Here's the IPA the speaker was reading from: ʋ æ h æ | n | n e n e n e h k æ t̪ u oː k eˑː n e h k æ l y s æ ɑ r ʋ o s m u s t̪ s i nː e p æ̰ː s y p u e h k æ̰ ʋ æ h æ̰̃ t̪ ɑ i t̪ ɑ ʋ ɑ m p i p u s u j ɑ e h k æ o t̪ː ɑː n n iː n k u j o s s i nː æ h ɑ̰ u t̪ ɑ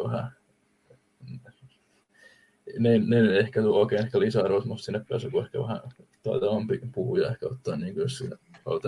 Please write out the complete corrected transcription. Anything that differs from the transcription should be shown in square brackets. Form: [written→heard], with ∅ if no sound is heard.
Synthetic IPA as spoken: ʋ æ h æ | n | n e n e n e h k æ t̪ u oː k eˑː n e h k æ l [y→i] s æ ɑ r ʋ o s m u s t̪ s i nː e p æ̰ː s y [p→k] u e h k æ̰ ʋ æ h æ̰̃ t̪ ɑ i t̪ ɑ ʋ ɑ m p i p u [s→h] u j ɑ e h k æ o t̪ː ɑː n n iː [n→ŋ] k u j o s s i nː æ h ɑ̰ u t̪ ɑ